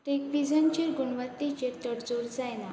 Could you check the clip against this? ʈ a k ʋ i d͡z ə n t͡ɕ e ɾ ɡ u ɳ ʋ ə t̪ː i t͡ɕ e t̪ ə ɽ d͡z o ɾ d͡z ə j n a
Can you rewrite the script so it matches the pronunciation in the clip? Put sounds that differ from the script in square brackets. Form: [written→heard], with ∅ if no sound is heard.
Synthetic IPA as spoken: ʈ [a→e] k ʋ i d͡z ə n t͡ɕ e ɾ ɡ u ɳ ʋ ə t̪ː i t͡ɕ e t̪ ə ɽ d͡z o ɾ d͡z [ə→a] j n a